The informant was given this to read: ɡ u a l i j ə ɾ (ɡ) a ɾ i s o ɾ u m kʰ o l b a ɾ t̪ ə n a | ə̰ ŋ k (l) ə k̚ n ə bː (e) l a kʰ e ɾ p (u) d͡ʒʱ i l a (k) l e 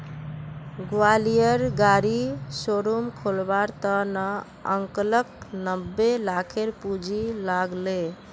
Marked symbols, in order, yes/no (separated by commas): yes, yes, yes, yes, no